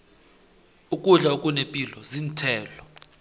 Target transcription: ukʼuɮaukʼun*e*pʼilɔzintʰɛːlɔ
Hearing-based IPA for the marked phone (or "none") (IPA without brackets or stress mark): e